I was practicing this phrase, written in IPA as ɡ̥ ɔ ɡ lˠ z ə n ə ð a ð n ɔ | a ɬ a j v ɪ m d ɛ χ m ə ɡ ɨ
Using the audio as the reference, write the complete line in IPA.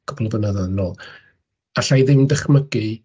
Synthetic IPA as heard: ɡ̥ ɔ b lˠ v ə n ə ð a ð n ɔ | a ɬ a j ð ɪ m d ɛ χ m ə ɡ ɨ